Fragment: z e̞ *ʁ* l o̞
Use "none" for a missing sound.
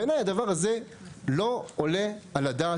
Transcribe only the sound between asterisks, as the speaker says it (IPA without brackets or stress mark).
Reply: none